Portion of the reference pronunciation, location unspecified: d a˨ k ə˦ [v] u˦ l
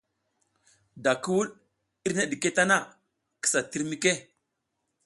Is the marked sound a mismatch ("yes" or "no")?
yes